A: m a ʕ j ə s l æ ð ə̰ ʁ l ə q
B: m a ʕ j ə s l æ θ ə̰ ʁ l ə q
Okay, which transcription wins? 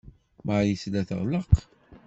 B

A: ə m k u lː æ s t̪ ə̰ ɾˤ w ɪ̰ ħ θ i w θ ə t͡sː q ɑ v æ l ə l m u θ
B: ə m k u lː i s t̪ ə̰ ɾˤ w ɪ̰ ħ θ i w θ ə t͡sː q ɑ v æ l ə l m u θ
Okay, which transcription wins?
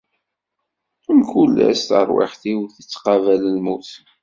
A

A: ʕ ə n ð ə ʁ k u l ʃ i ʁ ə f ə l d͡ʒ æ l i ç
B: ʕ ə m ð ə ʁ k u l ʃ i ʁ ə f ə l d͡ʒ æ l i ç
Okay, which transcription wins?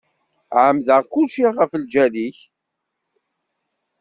B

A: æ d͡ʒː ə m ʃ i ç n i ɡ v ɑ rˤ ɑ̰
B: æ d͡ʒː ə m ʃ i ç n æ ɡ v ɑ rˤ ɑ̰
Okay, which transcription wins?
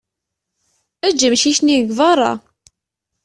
A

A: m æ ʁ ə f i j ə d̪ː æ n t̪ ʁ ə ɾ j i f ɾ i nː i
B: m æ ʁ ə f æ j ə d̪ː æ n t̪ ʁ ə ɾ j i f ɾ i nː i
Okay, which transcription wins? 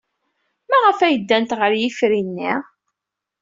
B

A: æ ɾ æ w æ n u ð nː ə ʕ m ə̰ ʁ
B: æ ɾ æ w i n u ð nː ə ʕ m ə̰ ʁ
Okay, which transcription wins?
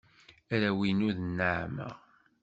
B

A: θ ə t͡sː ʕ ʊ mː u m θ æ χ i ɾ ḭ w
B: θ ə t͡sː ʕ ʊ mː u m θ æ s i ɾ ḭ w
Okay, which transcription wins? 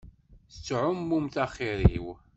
A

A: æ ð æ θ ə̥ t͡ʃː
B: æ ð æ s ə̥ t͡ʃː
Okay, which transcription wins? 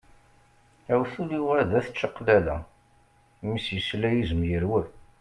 A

